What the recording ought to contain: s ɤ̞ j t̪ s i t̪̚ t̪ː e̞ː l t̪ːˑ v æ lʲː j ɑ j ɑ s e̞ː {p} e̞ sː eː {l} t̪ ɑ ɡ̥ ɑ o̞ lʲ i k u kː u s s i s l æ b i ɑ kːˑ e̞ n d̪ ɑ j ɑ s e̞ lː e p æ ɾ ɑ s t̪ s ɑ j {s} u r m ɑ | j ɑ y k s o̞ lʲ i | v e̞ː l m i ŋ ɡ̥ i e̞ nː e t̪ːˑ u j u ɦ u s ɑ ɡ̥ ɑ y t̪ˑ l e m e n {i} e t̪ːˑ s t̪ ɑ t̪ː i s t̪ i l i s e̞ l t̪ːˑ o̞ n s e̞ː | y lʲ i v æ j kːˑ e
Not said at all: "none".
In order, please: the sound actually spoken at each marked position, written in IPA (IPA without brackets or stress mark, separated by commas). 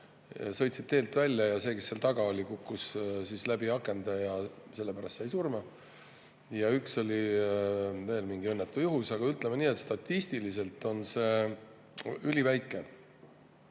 k, l, s, iː